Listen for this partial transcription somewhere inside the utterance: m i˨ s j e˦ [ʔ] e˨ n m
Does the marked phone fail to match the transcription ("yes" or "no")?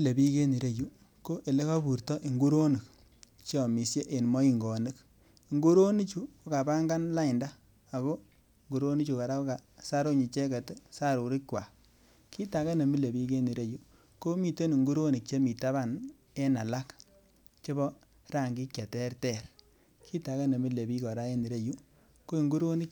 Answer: no